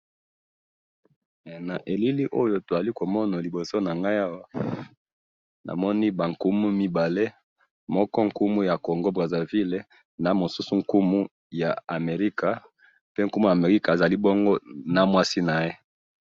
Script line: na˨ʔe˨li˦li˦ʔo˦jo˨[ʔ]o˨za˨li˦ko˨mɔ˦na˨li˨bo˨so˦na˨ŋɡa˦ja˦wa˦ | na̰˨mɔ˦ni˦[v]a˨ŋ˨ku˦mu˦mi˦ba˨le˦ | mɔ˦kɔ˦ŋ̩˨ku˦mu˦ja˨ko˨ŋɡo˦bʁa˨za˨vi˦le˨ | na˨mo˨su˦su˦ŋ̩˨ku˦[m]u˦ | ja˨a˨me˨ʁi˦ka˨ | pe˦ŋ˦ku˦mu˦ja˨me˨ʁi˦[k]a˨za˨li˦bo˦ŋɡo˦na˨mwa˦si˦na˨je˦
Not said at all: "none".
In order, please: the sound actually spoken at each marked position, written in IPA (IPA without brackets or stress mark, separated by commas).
t, b, m, k